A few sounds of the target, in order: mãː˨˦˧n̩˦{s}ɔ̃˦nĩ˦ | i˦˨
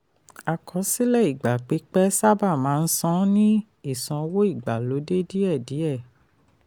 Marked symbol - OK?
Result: yes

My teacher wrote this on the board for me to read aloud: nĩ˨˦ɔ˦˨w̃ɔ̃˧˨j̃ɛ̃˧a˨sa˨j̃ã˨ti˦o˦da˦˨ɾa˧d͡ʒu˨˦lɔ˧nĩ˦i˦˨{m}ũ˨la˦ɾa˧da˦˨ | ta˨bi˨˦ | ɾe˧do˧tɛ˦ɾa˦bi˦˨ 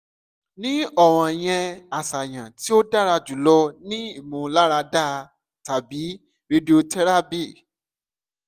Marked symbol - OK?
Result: yes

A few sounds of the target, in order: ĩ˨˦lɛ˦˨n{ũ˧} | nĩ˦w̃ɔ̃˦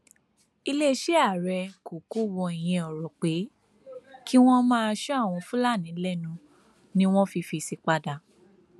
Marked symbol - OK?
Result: yes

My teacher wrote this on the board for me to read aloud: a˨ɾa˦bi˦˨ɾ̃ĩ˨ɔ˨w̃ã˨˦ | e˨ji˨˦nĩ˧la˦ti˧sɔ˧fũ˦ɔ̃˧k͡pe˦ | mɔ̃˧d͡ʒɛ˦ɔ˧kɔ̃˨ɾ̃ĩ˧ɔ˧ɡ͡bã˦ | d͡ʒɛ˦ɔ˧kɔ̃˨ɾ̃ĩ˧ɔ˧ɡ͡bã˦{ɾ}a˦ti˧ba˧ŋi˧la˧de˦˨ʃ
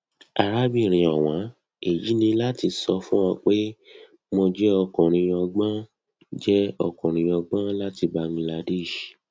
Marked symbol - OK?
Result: no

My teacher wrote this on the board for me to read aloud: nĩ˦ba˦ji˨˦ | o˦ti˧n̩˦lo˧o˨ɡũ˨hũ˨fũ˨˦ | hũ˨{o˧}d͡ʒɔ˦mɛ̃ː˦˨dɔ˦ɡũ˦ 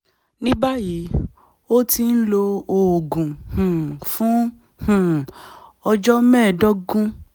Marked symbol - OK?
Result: no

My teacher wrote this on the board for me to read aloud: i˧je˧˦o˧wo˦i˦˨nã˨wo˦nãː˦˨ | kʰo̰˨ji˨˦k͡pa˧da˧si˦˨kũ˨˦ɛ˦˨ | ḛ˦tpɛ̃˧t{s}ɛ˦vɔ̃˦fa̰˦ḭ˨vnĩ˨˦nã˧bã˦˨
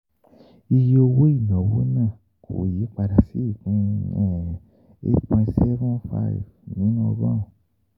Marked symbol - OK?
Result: yes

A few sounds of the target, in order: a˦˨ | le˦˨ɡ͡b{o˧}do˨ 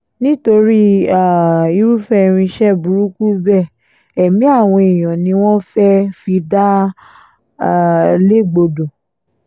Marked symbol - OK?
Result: yes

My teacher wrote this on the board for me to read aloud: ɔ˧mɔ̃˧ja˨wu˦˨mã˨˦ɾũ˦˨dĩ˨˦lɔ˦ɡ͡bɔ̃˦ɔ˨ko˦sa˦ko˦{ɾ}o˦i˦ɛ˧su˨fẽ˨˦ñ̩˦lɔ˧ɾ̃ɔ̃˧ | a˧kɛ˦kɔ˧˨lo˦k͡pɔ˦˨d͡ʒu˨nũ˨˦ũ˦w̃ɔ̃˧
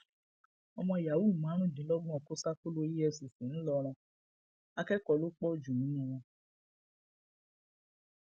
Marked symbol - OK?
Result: no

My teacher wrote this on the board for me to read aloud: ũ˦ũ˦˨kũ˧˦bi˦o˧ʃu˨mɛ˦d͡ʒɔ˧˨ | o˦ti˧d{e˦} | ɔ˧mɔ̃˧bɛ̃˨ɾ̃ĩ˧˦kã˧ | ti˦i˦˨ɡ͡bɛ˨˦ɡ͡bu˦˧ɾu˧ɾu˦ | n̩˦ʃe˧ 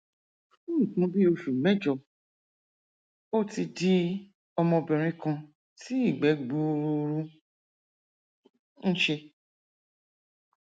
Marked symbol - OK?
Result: no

